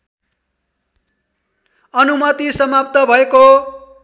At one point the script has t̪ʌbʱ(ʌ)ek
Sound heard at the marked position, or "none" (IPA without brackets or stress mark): ʌ